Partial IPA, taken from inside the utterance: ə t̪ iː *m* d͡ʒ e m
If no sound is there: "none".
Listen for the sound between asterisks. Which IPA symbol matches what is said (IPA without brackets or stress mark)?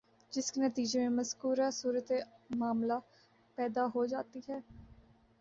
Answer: none